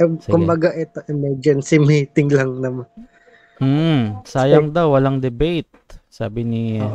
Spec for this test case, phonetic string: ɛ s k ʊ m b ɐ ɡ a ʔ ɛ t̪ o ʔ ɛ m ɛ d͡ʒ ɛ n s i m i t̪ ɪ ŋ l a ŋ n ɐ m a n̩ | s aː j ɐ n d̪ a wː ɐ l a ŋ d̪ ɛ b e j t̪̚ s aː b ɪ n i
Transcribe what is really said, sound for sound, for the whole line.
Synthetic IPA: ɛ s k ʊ m b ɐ ɡ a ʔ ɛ t̪ o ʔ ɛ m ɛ d͡ʒ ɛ n s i m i t̪ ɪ ŋ l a ŋ n ɐ m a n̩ | s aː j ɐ ŋ d̪ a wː ɐ l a ŋ d̪ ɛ b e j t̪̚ s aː b ɪ n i